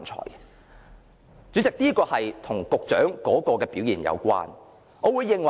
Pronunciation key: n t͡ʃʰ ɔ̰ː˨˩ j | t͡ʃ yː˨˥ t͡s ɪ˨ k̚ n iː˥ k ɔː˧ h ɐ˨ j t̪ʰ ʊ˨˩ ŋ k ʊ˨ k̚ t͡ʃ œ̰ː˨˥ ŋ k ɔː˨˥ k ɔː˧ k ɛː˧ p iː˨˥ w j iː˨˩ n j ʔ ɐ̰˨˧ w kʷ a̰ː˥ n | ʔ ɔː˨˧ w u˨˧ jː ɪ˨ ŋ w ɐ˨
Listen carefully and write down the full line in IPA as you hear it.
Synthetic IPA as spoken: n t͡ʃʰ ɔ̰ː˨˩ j | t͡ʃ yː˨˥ t͡s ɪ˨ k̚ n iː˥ k ɔː˧ h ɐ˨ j t̪ʰ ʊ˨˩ ŋ k ʊ˨ k̚ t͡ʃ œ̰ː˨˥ ŋ k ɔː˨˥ k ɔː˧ k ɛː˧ p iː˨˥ w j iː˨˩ n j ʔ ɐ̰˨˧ w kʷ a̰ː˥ n | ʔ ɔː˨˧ w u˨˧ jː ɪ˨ ŋ w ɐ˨